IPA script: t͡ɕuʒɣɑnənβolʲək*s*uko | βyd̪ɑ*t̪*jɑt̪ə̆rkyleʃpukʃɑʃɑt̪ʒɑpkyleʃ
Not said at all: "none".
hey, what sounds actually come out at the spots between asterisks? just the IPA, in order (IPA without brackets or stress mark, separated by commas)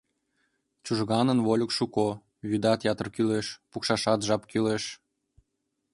ʃ, t̪